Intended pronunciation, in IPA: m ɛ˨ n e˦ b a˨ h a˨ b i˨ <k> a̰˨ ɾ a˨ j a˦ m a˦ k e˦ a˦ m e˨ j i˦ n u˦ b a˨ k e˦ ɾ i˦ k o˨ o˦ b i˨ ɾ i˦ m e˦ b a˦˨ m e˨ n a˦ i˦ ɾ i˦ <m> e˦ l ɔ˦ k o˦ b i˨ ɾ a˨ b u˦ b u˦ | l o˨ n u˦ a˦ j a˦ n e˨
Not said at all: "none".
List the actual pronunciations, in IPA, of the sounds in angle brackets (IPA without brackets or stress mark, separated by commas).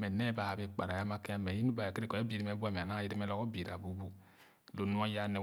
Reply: k͡p, m